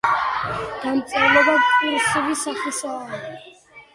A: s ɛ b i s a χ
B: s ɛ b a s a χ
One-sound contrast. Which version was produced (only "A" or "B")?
A